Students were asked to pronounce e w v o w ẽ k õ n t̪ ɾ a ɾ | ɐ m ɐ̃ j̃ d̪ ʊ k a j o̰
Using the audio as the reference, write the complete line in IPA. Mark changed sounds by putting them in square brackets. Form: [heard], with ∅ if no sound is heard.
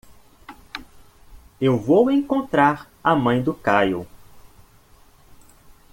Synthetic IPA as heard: e w v o w ẽ k õ n t̪ ɾ a ɾ | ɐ m ɐ̃ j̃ d̪ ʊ k a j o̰